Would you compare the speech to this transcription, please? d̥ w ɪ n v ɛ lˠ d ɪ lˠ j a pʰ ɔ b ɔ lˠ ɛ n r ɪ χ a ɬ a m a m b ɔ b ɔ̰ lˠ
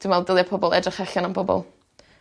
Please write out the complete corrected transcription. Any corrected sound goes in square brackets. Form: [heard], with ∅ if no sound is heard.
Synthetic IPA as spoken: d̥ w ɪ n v ɛ lˠ d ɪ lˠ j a pʰ ɔ b ɔ lˠ ɛ [d] r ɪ χ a ɬ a [n] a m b ɔ b ɔ̰ lˠ

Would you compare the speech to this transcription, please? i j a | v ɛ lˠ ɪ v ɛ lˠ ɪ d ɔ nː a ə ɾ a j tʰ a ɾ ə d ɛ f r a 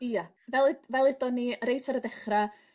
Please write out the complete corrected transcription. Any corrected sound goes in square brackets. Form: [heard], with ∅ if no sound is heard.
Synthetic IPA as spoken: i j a | v ɛ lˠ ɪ v ɛ lˠ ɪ d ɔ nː [i] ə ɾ [e] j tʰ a ɾ ə d ɛ [χ] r a

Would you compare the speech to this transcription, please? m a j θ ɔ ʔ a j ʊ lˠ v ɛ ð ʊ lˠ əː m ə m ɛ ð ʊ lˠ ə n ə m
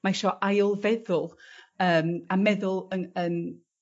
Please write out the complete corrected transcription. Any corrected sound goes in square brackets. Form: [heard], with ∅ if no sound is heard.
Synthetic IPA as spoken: m a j [ʃ] ɔ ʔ a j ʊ lˠ v ɛ ð ʊ lˠ əː m [a] m ɛ ð ʊ lˠ ə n ə [n]

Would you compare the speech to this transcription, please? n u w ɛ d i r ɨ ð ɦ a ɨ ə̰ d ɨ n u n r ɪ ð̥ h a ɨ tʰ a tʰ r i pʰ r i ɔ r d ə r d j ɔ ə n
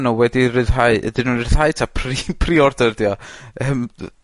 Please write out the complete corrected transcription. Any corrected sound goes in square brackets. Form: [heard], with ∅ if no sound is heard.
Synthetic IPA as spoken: n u w ɛ d i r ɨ ð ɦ a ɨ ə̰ d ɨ n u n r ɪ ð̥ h a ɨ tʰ a [pʰ] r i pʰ r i ɔ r d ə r d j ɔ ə [m]

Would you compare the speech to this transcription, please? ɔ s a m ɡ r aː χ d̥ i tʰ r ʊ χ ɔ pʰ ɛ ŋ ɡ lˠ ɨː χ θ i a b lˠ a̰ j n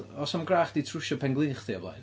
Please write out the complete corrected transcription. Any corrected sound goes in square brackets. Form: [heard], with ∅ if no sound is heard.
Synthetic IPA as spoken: ɔ s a m ɡ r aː χ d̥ i tʰ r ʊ [ʃ] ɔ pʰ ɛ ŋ ɡ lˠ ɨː χ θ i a b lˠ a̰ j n

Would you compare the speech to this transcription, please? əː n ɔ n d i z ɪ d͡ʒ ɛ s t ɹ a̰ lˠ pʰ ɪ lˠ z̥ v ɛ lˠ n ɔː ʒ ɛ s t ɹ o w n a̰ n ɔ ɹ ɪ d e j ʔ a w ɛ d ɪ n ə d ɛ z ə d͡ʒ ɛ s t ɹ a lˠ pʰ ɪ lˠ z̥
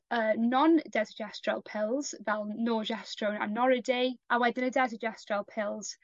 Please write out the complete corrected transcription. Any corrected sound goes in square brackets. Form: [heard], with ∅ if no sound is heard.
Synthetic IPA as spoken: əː n ɔ n d [ɛ] z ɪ d͡ʒ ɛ s t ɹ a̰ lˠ pʰ ɪ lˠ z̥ v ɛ lˠ n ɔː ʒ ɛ s t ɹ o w n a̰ n ɔ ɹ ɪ d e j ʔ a w ɛ d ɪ n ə d ɛ z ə d͡ʒ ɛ s t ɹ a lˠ pʰ ɪ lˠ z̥

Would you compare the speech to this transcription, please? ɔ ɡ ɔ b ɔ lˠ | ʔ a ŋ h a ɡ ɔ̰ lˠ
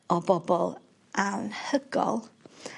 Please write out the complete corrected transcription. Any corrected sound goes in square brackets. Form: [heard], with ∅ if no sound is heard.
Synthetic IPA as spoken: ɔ [b] ɔ b ɔ lˠ | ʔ a [n] h [ə] ɡ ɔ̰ lˠ

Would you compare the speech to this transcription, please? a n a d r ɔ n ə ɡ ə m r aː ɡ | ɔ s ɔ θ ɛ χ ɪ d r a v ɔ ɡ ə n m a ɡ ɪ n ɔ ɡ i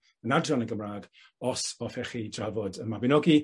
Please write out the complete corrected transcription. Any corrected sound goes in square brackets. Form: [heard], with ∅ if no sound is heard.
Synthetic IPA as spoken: [ə] n a d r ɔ n ə ɡ ə m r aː ɡ | ɔ s ɔ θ ɛ χ [i] d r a v ɔ [d] ə n m a [b] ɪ n ɔ ɡ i

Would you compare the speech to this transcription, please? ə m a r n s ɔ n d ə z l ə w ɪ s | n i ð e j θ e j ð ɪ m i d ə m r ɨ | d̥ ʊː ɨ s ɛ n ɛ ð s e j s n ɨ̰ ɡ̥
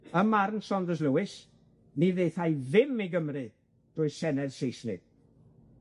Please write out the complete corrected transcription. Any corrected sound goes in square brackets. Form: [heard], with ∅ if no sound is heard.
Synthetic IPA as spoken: ə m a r n s ɔ n d ə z l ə w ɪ s | n i ð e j θ [a] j ð ɪ m i [ɡ] ə m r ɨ | d̥ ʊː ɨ s ɛ n ɛ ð s e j s n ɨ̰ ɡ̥

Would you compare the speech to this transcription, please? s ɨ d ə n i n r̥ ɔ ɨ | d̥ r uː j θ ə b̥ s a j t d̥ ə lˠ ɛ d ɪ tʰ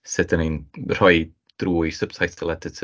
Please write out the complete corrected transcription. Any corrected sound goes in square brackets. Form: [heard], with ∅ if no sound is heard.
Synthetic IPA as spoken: s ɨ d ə n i n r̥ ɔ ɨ | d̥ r uː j [s] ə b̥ s a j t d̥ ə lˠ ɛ d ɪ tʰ

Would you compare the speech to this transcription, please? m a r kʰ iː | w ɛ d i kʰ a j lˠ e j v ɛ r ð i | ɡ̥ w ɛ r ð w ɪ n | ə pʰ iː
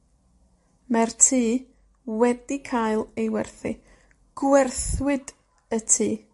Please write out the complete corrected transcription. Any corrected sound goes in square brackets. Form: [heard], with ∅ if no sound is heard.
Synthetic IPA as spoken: m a r [tʰ] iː | w ɛ d i kʰ a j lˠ e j [w] ɛ r [θ] i | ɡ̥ w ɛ r [θ] w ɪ [d] | ə [tʰ] iː

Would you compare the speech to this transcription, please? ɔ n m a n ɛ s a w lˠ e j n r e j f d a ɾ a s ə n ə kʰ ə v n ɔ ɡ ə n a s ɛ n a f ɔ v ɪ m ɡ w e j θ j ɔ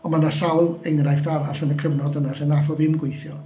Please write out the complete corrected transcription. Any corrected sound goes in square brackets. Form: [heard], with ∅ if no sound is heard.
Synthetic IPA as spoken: ɔ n m a n [a] s a w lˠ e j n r [a] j f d a ɾ a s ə n ə kʰ ə v n ɔ [d] ə n a s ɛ n a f ɔ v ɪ m ɡ w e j θ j ɔ

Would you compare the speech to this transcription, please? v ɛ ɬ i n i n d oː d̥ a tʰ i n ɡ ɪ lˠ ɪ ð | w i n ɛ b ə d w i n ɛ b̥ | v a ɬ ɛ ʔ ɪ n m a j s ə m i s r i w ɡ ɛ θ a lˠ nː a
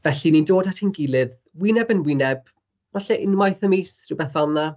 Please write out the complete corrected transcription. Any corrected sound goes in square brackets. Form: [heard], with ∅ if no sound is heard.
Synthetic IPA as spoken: v ɛ ɬ i n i n d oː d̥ a tʰ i n ɡ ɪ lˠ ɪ ð | w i n ɛ b ə [n] w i n ɛ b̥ | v a ɬ ɛ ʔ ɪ n m a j [θ] ə m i s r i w [b] ɛ θ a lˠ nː a

